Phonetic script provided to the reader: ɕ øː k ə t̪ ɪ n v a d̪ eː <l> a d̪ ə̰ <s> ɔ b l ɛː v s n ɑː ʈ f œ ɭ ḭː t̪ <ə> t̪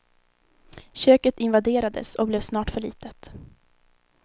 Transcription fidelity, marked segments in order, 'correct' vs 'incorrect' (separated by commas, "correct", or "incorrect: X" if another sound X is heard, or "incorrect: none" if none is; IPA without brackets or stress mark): incorrect: ɾ, correct, correct